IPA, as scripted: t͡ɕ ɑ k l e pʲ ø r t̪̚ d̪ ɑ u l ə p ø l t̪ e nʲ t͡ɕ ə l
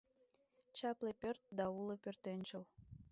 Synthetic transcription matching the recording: t͡ɕ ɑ p l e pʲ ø r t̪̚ d̪ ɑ u l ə p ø r t̪ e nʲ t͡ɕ ə l